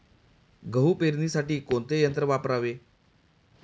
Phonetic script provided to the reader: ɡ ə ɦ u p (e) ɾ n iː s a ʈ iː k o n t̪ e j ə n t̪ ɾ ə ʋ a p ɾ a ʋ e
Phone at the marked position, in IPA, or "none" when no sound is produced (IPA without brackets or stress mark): e